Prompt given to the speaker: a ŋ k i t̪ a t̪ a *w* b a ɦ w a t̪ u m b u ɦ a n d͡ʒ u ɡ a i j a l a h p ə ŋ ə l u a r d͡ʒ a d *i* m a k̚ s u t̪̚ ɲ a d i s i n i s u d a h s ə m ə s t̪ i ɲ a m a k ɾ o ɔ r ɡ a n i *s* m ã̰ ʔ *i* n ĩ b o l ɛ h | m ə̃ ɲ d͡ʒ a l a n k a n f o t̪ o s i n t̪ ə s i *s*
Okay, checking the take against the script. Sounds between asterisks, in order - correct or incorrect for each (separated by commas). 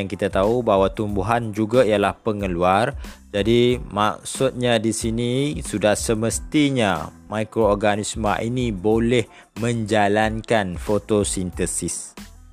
incorrect, correct, correct, correct, correct